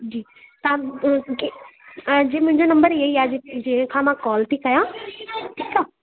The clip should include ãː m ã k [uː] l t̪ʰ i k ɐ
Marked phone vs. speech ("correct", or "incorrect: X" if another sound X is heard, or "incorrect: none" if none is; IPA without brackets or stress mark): incorrect: ɔː